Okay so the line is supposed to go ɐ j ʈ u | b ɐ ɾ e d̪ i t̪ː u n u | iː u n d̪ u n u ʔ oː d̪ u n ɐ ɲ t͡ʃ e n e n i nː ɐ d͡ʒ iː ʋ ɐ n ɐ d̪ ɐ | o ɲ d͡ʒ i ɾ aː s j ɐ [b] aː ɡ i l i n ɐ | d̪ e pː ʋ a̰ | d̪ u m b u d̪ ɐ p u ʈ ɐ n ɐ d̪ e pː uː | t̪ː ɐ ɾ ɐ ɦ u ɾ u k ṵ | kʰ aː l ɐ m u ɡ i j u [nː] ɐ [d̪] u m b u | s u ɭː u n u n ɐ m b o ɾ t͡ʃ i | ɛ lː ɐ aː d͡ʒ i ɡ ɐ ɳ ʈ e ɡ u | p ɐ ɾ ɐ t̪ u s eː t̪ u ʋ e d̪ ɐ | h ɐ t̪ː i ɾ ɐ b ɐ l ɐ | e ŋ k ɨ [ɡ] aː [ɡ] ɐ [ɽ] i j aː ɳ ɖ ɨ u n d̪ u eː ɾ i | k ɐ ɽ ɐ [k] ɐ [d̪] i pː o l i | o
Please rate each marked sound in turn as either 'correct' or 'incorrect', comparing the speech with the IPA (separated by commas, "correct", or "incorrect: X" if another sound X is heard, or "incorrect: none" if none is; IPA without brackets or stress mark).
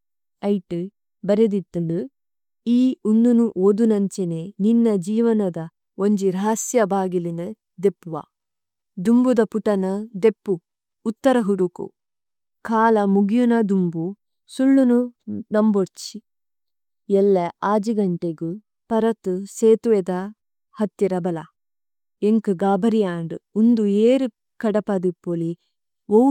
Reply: correct, incorrect: n, correct, correct, incorrect: b, incorrect: ɾ, incorrect: p, correct